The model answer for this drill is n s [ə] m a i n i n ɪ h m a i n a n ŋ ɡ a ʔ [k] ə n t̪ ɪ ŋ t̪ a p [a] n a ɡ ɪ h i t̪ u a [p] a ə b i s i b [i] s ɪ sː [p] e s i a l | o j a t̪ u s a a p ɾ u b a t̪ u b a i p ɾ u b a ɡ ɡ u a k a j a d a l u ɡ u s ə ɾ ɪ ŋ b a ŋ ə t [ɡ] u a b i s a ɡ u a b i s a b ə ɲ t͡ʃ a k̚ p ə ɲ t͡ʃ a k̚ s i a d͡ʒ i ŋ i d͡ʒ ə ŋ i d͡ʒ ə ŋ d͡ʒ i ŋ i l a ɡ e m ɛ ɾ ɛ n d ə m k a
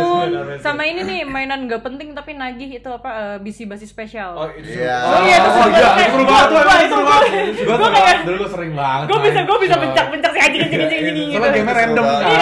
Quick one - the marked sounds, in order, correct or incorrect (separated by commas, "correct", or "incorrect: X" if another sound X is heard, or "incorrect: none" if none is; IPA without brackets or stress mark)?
incorrect: a, incorrect: p, incorrect: i, correct, incorrect: a, correct, correct